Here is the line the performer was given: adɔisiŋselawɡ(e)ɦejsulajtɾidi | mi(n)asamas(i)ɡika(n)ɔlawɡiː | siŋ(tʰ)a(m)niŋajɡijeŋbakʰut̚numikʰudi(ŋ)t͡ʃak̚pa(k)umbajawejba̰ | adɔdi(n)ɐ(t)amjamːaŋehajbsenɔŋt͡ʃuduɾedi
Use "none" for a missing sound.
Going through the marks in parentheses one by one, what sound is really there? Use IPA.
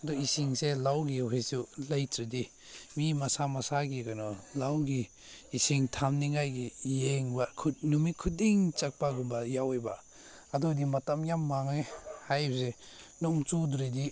i, m, a, n, tʰ, m, ŋ, ɡ, m, t

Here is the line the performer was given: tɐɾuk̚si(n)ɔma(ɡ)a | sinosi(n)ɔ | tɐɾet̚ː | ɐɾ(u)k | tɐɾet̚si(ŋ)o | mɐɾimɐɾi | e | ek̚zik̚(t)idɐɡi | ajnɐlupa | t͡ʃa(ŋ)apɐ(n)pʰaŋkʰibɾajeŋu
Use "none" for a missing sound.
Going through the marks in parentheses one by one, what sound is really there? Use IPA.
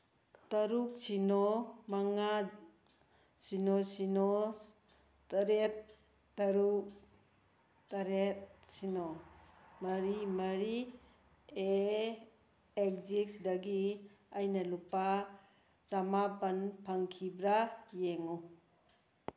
n, ŋ, n, u, n, s, m, n

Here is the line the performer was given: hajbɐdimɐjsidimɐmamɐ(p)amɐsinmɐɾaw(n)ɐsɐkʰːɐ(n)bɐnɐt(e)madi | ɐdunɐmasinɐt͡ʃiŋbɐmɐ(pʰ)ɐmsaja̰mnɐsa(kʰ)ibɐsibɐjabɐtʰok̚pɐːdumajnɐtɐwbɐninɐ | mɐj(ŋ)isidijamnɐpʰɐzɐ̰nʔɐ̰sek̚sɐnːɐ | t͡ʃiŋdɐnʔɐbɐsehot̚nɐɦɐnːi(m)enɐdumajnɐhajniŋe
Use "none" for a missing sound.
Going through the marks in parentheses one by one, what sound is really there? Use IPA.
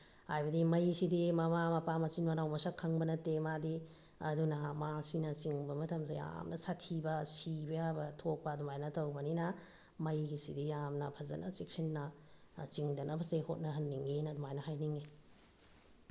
p, m, ŋ, e, tʰ, tʰ, ɡ, ŋ

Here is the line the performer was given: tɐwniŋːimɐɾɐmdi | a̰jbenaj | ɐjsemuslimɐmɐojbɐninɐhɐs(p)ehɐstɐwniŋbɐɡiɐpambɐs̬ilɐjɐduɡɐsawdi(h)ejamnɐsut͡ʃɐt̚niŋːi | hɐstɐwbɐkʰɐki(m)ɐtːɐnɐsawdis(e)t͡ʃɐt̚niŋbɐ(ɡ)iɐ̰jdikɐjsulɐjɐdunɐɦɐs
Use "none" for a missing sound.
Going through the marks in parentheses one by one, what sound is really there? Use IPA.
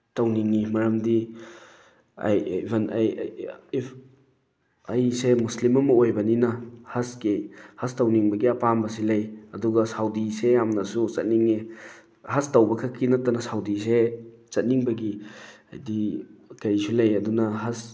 k, s, n, e, ɡ

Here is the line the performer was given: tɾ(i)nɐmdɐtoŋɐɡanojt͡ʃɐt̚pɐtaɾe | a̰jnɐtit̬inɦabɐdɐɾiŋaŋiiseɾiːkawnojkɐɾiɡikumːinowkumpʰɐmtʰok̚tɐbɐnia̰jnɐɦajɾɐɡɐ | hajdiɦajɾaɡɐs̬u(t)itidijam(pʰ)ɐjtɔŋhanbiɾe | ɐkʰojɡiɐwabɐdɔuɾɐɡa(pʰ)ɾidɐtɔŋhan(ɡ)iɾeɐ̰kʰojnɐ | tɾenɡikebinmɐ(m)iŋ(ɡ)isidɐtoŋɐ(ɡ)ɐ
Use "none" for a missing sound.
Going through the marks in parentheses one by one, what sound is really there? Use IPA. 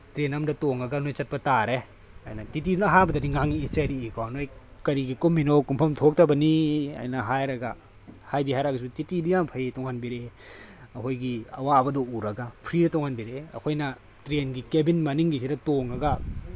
e, t, pʰ, pʰ, b, n, ɡ, ɡ

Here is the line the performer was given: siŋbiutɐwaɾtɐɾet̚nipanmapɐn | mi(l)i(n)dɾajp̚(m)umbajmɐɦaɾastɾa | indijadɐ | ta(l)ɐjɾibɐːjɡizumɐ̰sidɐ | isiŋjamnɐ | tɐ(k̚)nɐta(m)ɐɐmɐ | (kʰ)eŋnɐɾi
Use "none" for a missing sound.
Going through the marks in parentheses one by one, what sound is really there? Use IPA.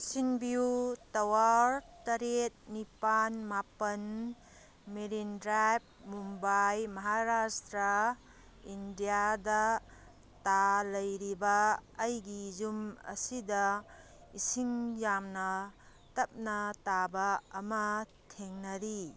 ɾ, n, m, l, p̚, b, tʰ

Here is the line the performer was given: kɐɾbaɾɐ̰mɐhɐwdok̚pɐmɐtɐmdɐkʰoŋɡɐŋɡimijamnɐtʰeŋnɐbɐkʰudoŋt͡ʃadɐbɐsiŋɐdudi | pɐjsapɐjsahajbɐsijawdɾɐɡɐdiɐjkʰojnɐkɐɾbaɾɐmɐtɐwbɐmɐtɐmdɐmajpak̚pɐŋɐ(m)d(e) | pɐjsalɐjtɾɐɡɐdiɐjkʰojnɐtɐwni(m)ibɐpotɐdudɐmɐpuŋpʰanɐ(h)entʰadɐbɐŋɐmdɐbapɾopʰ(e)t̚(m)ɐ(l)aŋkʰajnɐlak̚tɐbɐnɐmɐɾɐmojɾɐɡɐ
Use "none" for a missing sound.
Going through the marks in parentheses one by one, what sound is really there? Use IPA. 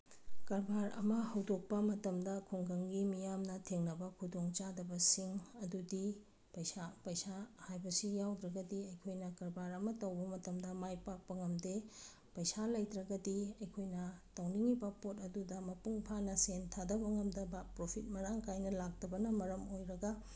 m, e, ŋ, s, i, m, ɾ

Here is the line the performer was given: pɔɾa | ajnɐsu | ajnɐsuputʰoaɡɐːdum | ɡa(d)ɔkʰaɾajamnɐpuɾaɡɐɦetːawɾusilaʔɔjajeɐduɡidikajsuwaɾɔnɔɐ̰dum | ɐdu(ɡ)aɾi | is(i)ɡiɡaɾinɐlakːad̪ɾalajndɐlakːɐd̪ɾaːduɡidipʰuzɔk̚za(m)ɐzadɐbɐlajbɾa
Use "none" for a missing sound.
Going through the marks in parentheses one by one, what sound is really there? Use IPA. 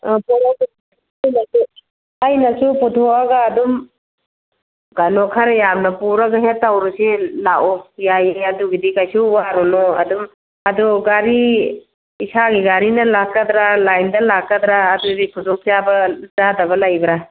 n, ɡ, a, b

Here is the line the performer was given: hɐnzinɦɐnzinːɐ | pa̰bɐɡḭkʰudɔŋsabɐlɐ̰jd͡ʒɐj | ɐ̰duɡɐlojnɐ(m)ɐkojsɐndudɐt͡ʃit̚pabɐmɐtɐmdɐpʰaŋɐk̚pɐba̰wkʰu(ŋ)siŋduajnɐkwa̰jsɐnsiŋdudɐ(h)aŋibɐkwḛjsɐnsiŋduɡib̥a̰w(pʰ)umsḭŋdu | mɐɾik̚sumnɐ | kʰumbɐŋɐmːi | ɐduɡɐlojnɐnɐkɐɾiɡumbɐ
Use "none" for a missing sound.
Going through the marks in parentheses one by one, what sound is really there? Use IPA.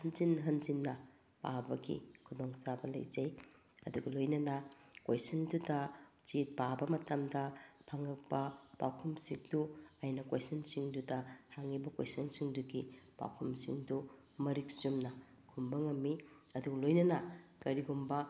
n, m, h, kʰ

